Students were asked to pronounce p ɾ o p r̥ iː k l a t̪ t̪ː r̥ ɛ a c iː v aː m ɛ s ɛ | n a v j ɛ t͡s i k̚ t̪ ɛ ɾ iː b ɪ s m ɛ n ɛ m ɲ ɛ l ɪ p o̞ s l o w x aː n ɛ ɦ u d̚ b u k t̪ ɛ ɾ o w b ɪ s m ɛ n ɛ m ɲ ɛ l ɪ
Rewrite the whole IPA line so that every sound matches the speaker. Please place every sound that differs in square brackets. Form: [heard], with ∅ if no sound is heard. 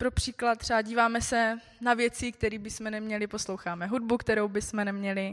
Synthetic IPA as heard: p ɾ o p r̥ iː k l a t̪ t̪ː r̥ ɛ a [ɟ] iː v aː m ɛ s ɛ | n a v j ɛ t͡s i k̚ t̪ ɛ ɾ iː b ɪ s m ɛ n ɛ m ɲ ɛ l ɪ p o̞ s l o w x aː [m] ɛ ɦ u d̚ b u k t̪ ɛ ɾ o w b ɪ s m ɛ n ɛ m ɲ ɛ l ɪ